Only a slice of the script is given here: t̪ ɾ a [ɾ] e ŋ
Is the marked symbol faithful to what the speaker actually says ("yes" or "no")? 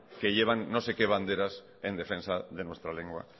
no